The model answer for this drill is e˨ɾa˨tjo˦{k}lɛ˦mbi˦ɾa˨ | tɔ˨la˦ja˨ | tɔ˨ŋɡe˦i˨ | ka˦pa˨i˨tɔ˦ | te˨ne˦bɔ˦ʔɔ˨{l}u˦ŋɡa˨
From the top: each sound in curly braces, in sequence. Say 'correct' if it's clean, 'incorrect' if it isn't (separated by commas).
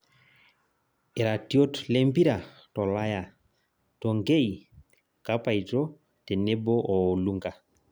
incorrect, correct